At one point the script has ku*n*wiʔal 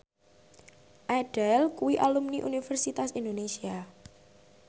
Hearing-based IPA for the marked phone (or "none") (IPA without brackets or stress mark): none